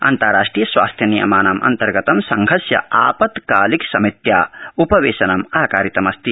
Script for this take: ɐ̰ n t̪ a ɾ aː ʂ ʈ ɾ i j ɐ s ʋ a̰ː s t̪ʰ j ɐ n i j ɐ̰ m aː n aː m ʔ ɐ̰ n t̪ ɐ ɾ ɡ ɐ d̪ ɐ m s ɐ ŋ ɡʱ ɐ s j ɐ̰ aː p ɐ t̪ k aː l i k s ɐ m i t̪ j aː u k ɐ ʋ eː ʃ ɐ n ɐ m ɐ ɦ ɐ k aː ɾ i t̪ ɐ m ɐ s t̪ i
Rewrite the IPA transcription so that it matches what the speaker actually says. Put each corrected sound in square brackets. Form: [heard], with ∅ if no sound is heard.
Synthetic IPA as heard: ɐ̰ n t̪ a ɾ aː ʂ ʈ ɾ i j ɐ s ʋ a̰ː s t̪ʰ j ɐ n i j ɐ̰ m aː n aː m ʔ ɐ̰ n t̪ ɐ ɾ ɡ ɐ [t̪] ɐ m s ɐ ŋ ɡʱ ɐ s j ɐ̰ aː p ɐ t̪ k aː l i k s ɐ m i t̪ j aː u [p] ɐ ʋ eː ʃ ɐ n ɐ m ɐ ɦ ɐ k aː ɾ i t̪ ɐ m ɐ s t̪ i